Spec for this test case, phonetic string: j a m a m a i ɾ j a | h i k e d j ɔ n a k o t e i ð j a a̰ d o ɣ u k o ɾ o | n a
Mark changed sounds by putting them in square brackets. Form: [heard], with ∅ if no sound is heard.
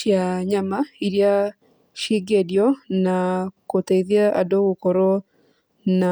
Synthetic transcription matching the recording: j a [ɲ] a m a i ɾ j a | [ʃ] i [ɡ] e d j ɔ n a k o t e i ð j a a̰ d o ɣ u k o ɾ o | n a